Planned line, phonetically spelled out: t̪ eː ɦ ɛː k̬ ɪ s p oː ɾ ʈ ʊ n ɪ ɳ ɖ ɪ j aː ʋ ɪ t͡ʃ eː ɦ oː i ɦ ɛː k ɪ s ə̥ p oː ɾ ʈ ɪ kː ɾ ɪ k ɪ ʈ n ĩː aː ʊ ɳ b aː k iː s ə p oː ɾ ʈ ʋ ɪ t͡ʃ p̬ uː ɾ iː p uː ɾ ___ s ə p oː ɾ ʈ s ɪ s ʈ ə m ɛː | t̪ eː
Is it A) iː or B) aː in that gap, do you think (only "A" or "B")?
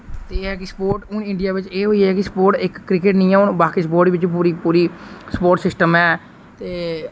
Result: A